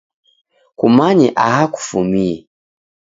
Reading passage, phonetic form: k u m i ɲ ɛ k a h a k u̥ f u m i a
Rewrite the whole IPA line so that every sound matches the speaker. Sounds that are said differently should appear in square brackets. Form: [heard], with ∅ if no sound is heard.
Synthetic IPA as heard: k u m [a] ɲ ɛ [ʔ] a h a k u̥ f u m i [ɛ]

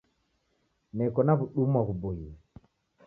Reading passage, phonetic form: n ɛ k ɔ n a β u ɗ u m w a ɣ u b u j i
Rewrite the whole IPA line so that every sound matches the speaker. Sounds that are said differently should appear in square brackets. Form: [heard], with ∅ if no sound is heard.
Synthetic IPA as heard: n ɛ k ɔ n a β u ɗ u m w a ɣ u b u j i

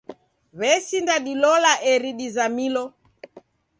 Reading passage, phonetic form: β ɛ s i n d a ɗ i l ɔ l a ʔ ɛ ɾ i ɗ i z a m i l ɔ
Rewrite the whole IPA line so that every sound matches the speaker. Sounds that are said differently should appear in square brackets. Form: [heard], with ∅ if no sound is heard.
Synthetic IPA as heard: β ɛ s i n d a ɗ i l ɔ l a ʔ ɛ ɾ i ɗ i z a m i l ɔ

